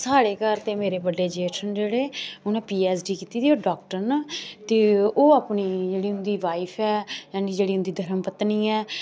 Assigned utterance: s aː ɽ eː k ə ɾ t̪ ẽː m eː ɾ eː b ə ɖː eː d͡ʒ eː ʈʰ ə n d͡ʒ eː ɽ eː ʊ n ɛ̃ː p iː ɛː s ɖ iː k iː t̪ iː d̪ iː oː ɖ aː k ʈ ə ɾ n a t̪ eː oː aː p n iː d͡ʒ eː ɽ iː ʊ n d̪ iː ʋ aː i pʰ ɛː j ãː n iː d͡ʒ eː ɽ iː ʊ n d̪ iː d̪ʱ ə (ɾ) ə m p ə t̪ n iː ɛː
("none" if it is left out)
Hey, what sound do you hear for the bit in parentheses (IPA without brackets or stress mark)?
ɾ